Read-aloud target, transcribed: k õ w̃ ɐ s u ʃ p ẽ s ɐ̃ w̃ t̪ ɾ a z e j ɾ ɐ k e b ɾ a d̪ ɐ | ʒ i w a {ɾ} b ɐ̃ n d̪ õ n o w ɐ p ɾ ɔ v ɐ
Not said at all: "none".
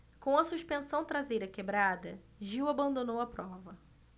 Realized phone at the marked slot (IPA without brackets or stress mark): none